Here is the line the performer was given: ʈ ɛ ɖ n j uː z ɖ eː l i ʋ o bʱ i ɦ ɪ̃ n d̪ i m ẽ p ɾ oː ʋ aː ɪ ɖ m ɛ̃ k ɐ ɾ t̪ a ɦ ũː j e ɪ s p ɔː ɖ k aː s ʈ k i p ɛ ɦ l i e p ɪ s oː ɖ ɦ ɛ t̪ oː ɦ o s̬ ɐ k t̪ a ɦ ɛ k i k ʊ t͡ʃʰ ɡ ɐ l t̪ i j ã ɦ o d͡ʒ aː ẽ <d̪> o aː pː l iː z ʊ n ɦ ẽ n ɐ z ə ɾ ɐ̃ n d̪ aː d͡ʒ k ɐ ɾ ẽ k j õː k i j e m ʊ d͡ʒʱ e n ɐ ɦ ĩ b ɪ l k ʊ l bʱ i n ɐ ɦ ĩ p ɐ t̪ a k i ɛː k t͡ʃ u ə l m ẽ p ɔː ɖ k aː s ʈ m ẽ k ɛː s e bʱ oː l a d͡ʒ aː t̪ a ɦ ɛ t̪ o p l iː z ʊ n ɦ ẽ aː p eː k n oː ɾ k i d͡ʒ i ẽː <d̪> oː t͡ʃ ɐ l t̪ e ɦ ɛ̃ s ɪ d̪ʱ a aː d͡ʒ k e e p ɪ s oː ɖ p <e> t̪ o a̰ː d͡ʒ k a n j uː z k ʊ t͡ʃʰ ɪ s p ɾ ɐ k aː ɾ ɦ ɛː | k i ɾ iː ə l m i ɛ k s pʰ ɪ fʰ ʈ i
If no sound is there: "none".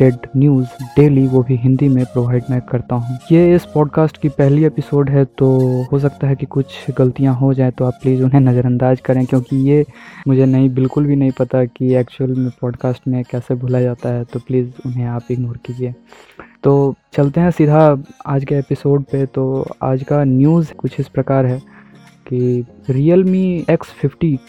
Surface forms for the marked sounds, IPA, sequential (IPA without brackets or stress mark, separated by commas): t̪, t̪, e